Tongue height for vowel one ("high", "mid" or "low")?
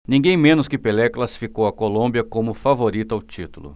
high